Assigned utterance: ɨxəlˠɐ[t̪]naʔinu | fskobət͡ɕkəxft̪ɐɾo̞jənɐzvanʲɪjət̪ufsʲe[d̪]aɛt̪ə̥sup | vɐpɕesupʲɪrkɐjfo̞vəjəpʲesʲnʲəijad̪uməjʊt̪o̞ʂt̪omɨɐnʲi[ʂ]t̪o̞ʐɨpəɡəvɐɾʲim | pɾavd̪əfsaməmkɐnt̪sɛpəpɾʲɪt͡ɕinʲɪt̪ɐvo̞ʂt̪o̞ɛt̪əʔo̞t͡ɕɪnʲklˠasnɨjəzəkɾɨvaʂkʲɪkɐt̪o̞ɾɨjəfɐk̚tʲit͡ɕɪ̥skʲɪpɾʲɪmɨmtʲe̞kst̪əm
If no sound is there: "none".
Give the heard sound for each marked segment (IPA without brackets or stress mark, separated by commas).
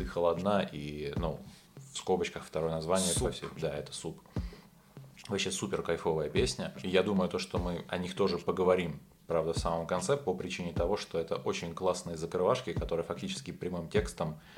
d̪, d̪, x